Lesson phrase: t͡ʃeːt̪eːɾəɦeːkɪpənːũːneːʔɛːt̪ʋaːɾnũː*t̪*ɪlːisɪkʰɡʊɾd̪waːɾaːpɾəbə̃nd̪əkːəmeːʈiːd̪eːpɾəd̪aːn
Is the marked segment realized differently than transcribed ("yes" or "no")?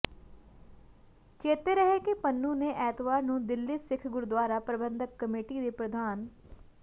yes